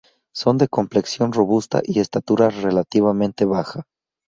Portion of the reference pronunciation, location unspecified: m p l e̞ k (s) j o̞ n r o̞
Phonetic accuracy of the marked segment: correct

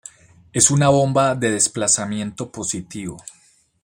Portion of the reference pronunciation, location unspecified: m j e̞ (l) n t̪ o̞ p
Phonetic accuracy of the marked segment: incorrect: none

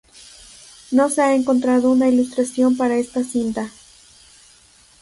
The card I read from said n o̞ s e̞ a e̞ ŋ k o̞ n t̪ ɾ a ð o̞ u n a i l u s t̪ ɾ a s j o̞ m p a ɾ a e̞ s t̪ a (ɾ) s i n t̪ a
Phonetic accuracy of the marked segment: incorrect: none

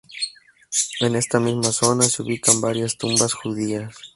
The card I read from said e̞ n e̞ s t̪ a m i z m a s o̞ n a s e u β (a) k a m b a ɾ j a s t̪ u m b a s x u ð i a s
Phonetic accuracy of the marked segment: incorrect: i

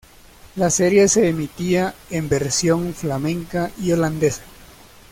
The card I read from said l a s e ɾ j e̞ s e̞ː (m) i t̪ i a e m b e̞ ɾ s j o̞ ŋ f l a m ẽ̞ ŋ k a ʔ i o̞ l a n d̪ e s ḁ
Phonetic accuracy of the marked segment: correct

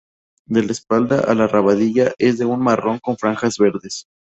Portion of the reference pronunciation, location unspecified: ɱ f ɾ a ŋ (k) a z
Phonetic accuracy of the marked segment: incorrect: x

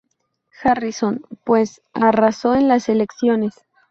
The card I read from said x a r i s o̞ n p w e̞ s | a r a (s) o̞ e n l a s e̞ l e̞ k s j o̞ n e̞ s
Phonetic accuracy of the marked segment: correct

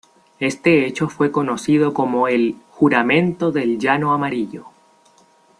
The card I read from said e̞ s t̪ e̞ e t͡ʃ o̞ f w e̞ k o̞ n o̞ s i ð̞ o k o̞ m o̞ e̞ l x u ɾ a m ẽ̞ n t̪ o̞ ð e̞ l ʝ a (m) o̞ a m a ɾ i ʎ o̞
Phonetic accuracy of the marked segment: incorrect: n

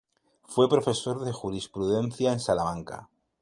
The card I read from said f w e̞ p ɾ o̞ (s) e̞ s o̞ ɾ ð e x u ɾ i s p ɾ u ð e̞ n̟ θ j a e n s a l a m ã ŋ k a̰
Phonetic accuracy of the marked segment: incorrect: f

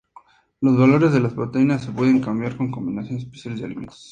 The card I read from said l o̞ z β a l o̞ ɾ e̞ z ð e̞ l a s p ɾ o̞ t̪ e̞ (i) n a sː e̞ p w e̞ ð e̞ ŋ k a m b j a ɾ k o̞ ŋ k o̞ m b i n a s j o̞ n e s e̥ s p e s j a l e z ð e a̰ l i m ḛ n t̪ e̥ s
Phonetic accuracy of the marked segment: correct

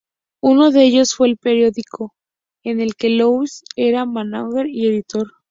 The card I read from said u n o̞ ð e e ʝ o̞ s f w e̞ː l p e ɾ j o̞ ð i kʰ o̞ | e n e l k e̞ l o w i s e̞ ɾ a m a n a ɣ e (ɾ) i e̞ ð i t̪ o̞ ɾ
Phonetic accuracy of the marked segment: correct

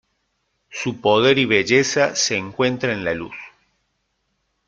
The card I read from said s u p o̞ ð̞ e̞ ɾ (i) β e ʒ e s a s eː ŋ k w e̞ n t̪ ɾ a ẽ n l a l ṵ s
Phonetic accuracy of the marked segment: correct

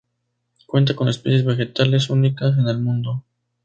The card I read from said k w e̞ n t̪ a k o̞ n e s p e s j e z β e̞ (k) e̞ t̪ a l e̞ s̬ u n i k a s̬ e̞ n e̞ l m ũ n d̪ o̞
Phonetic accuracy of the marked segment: incorrect: x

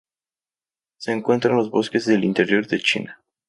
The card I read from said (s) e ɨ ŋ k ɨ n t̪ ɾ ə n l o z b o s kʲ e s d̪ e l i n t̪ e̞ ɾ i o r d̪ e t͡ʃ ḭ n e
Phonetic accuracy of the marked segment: correct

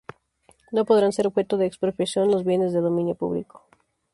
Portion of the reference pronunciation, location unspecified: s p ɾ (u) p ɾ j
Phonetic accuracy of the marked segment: incorrect: o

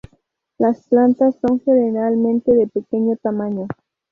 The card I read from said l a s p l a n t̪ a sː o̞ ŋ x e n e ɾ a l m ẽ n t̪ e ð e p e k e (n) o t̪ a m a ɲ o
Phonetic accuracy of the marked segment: incorrect: ɲ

